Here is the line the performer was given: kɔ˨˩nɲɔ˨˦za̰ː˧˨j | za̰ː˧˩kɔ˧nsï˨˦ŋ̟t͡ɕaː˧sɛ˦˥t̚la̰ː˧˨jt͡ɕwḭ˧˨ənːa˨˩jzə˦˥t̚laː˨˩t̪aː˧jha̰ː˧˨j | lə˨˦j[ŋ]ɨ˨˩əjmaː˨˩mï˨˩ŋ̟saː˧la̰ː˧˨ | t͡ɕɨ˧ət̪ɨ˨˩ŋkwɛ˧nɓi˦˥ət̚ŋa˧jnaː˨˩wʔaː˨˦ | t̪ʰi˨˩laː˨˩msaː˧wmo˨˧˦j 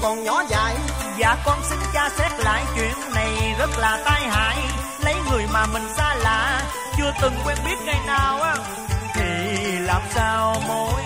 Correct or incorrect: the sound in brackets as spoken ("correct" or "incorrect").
correct